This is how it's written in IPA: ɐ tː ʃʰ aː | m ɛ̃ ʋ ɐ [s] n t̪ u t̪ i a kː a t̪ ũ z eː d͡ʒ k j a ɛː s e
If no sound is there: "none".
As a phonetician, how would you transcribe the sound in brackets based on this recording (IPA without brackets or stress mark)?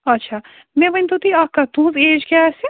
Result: none